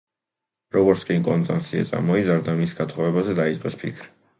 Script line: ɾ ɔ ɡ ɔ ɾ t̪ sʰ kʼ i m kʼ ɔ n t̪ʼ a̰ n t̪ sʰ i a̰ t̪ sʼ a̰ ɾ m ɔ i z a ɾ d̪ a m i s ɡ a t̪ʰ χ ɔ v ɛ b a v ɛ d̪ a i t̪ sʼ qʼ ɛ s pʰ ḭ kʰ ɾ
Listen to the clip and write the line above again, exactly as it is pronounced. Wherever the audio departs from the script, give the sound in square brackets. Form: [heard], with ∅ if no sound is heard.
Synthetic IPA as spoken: ɾ ɔ ɡ ɔ ɾ t̪ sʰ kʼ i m kʼ ɔ n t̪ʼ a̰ n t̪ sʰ i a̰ t̪ sʼ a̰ ɾ m ɔ i z a ɾ d̪ a m i s ɡ a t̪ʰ χ ɔ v ɛ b a [z] ɛ d̪ a i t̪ sʼ qʼ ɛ s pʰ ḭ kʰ ɾ